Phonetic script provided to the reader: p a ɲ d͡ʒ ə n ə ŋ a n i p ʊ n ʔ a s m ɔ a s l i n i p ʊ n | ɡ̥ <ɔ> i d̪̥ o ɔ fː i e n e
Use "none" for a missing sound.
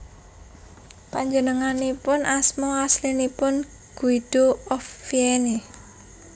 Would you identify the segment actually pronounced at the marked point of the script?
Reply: u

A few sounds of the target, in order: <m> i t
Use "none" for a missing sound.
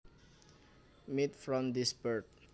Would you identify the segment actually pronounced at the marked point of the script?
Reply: m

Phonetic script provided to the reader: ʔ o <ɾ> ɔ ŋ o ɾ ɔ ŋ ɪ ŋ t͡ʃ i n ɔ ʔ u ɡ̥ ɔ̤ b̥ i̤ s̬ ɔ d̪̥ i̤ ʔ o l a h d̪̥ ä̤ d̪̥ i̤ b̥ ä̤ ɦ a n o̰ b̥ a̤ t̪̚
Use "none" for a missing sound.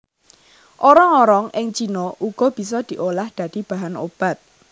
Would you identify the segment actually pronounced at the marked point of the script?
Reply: ɾ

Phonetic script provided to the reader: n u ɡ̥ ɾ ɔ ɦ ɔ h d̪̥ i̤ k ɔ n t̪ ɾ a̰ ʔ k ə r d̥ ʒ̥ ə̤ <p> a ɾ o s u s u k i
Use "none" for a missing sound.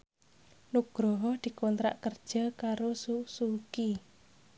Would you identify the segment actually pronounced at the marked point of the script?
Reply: k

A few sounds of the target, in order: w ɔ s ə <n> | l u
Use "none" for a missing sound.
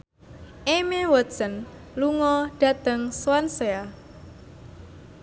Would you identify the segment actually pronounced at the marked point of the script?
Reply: n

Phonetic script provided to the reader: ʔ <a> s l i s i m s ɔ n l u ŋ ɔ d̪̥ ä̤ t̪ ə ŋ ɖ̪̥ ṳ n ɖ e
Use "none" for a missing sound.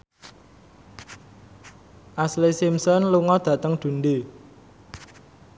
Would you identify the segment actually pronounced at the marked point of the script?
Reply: a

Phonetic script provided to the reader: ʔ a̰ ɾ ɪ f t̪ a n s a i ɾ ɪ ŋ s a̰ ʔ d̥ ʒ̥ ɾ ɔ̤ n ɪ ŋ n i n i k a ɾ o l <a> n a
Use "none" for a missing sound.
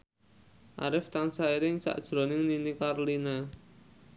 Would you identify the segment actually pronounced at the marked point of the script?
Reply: i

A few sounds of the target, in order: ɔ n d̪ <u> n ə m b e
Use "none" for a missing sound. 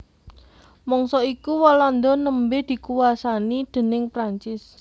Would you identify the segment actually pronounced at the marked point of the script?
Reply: ɔ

